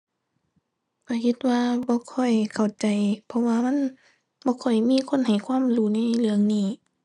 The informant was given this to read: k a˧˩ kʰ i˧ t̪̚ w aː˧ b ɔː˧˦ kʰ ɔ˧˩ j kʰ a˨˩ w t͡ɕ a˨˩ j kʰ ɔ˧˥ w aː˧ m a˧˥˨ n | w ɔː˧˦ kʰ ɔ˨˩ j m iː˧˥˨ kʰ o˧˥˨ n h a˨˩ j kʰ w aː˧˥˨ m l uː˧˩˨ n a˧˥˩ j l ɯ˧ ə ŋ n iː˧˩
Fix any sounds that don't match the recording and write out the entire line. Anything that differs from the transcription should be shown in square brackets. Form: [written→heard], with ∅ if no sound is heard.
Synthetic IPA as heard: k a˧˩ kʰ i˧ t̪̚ w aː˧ b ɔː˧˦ kʰ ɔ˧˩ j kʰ a˨˩ w t͡ɕ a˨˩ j [kʰ→pʰ] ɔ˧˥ w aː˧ m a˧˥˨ n | [w→b] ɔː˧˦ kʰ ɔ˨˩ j m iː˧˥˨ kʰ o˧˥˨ n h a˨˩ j kʰ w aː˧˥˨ m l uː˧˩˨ n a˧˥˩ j l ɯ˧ ə ŋ n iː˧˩